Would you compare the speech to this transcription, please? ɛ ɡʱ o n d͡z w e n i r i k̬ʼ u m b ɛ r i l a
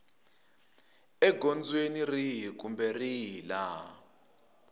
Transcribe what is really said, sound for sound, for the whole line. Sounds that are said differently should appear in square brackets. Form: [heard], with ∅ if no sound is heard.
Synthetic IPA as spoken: ɛ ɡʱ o n d͡z w e n i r i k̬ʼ u m b ɛ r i l a